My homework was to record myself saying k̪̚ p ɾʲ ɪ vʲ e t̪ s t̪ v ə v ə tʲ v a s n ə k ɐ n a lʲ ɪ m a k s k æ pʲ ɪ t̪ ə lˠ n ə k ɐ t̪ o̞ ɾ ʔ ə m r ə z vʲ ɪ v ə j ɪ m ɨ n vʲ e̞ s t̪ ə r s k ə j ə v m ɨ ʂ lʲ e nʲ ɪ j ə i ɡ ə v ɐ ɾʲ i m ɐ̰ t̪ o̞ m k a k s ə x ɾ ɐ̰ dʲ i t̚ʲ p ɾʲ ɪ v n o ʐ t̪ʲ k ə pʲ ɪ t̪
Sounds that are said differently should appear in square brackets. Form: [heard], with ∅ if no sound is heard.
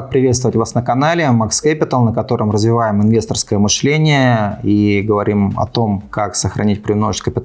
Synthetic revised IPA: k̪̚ p ɾʲ ɪ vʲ e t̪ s t̪ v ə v ə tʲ v a s n ə k ɐ n a lʲ ɪ m a k s k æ pʲ ɪ t̪ ə lˠ n ə k ɐ t̪ o̞ ɾ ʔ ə m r ə z vʲ ɪ v [a] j ɪ m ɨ n vʲ e̞ s t̪ ə r s k ə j ə [∅] m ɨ ʂ lʲ e nʲ ɪ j ə i ɡ ə v ɐ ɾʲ i m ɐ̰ t̪ o̞ m k a k s ə x ɾ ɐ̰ [nʲ] i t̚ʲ p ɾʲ ɪ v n o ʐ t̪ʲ k ə pʲ ɪ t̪

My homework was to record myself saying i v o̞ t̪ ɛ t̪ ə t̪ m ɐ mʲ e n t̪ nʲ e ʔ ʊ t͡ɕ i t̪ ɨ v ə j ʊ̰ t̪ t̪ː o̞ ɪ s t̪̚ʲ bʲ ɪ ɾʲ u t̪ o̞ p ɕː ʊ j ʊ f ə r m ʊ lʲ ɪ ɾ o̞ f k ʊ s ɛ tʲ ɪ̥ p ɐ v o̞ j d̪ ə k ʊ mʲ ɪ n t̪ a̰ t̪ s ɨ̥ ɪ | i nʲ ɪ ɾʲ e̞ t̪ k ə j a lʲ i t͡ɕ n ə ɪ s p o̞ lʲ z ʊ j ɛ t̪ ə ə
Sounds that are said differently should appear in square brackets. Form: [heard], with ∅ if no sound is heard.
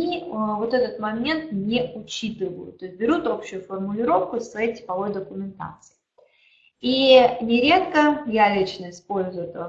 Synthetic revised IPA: i v o̞ t̪ ɛ t̪ ə t̪ m ɐ mʲ e n t̪ nʲ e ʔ ʊ t͡ɕ i t̪ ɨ v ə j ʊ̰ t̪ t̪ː o̞ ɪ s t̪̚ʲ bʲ ɪ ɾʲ u t̪ o̞ p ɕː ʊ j ʊ f ə r m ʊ lʲ ɪ ɾ o̞ f k ʊ s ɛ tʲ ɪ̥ p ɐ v o̞ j d̪ ə k ʊ mʲ ɪ n t̪ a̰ t̪ s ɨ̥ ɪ | i nʲ ɪ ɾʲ e̞ t̪ k ə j a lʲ i t͡ɕ n ə ɪ s p o̞ lʲ z ʊ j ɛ t̪ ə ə

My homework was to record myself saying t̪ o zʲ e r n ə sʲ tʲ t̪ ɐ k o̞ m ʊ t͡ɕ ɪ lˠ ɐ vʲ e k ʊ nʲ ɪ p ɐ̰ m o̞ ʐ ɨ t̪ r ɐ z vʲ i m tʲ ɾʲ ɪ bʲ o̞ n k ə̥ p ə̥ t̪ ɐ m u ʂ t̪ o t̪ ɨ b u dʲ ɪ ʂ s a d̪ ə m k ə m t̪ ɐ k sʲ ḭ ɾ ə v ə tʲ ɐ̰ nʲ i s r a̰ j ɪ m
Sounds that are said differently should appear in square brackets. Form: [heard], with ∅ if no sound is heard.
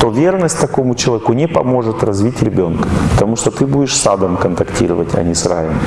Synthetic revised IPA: t̪ o [vʲ] e r n ə sʲ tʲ t̪ ɐ k o̞ m ʊ t͡ɕ ɪ lˠ ɐ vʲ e k ʊ nʲ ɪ p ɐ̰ m o̞ ʐ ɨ t̪ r ɐ z vʲ i [∅] tʲ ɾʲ ɪ bʲ o̞ n k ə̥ p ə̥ t̪ ɐ m u ʂ t̪ o t̪ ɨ b u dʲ ɪ ʂ s a d̪ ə m k ə [n] t̪ ɐ k [tʲ] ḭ ɾ ə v ə tʲ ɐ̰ nʲ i s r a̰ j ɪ m

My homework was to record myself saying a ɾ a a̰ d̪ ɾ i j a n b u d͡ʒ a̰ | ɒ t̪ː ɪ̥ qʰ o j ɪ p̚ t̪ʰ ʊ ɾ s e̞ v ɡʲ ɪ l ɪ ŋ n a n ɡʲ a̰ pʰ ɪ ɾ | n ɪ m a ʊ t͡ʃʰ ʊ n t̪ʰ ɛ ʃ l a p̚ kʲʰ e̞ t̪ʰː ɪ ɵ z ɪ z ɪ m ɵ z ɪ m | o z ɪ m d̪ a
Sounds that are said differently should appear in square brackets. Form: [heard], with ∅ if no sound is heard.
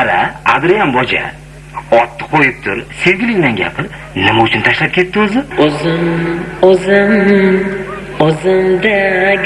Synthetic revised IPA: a ɾ a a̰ d̪ ɾ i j a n b [ɒ] d͡ʒ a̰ | ɒ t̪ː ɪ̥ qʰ o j ɪ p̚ t̪ʰ ʊ ɾ s e̞ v ɡʲ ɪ l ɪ ŋ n a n ɡʲ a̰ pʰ ɪ ɾ | n ɪ m a ʊ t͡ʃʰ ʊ n t̪ʰ [a] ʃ l a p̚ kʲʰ e̞ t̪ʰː ɪ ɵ z ɪ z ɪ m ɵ z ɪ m | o z ɪ m d̪ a

